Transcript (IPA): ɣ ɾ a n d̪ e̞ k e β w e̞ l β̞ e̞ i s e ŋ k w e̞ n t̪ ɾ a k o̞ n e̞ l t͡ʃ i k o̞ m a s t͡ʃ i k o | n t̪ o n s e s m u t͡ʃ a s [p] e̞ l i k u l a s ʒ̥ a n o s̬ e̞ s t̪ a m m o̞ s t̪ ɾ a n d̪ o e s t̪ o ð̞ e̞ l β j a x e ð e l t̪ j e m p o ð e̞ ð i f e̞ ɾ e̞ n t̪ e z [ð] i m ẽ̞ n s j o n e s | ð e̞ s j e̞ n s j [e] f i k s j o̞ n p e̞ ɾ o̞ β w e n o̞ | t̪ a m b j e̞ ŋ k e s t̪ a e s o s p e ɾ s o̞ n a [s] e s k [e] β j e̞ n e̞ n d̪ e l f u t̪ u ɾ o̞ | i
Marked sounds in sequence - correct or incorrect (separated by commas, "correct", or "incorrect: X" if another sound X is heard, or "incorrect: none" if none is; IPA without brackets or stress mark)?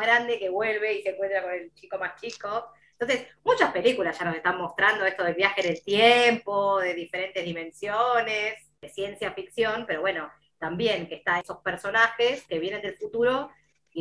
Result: correct, correct, incorrect: a, incorrect: x, correct